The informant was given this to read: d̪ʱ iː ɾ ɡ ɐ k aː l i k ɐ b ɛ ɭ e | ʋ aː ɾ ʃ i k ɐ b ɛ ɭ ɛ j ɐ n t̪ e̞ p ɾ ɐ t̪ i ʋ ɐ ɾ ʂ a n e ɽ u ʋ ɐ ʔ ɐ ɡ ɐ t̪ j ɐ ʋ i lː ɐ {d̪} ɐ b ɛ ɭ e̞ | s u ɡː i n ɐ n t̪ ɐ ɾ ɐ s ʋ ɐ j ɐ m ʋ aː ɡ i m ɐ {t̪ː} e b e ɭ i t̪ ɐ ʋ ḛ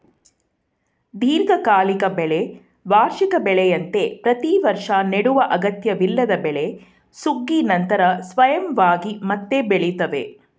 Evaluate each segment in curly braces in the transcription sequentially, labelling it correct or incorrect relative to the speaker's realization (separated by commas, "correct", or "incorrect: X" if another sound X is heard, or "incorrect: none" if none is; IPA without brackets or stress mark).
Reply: correct, correct